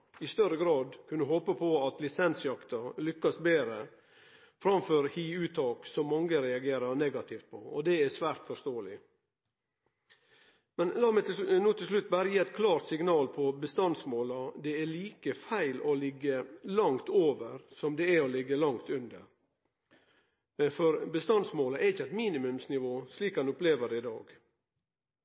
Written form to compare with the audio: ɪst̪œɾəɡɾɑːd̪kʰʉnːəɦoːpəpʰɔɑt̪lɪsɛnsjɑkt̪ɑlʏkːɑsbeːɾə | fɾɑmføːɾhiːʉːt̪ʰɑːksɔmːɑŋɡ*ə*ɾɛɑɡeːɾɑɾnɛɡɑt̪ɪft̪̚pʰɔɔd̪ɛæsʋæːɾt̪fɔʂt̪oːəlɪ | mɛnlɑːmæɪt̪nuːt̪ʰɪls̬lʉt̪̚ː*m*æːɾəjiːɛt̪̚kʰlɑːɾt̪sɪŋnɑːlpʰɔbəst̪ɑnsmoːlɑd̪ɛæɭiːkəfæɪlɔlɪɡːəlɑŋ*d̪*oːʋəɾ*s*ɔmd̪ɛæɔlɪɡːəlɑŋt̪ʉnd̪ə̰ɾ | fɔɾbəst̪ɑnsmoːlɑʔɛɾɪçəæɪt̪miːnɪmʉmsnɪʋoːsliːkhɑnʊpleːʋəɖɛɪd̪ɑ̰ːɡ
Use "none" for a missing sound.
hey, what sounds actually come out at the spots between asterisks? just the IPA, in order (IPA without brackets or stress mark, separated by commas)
ə, b, t̪, s